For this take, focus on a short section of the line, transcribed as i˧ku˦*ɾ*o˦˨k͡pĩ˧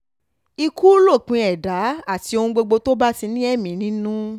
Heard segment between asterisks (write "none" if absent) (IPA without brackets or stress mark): l